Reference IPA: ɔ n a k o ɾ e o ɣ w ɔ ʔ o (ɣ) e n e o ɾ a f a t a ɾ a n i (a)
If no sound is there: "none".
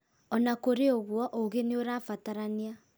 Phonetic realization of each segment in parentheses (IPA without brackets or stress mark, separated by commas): ɣ, a